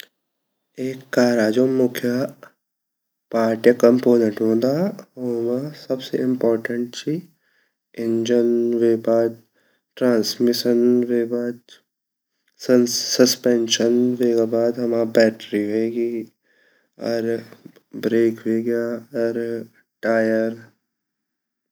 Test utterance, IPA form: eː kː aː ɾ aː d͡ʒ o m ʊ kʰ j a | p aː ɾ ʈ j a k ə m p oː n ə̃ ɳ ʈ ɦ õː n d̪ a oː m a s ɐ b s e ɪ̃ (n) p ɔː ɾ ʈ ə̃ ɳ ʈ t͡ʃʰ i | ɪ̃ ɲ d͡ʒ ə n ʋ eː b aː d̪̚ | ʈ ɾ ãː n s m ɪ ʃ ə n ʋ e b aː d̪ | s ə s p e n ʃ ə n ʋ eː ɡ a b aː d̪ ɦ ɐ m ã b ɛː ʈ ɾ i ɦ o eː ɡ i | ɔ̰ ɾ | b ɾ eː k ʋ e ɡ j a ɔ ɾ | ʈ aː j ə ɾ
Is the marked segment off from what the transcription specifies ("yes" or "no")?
yes